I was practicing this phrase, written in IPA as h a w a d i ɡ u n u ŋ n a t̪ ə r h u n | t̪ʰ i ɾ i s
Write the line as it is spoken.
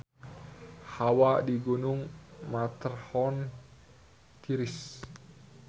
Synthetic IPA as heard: h a w a d i ɡ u n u ŋ m a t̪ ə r h ɔ n | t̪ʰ i ɾ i s